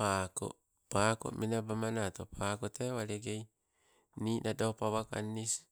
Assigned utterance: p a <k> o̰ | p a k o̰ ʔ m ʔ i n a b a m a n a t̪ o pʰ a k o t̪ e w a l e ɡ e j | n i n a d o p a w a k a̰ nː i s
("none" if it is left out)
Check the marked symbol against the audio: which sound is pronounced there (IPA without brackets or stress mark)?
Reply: k